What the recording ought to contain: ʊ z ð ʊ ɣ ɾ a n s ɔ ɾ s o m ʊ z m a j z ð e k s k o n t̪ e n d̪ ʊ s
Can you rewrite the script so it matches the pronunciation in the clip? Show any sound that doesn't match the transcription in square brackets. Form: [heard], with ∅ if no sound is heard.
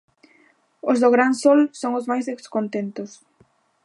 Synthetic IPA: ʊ z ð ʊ ɣ ɾ a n s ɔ [l] s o [ŋ] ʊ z m a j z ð e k s k o n t̪ e n [t̪] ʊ s